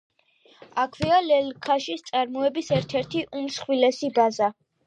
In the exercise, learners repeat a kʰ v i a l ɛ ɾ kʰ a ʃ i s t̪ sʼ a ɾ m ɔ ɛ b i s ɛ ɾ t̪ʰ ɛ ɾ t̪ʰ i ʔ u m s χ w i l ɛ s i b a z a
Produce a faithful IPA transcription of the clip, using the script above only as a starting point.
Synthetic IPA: a kʰ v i a l ɛ l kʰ a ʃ i s t̪ sʼ a ɾ m ɔ ɛ b i s ɛ ɾ t̪ʰ ɛ ɾ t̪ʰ i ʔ u m s χ w i l ɛ s i b a z a